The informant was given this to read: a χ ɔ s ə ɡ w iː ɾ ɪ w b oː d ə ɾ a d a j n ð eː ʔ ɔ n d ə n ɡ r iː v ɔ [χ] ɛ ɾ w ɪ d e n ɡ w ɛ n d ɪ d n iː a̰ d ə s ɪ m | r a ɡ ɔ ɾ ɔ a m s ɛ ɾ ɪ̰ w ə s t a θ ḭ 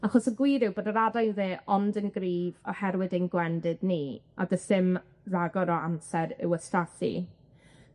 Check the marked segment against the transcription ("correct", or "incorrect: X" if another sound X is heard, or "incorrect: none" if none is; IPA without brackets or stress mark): incorrect: h